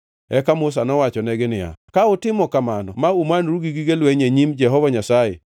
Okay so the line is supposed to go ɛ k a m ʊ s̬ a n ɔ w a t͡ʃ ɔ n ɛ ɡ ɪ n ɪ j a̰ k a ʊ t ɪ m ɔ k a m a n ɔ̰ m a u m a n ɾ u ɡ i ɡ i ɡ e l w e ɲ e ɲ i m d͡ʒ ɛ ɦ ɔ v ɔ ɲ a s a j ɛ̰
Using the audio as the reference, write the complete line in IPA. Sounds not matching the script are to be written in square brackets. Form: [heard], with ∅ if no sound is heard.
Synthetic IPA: ɛ k a m ʊ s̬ a n ɔ w a t͡ʃ ɔ n ɛ ɡ ɪ n ɪ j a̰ k a ʊ t ɪ m ɔ k a m a n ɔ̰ m a u m a n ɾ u ɡ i ɡ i ɡ e l w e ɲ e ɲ i m d͡ʒ ɛ ɦ ɔ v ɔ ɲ a s a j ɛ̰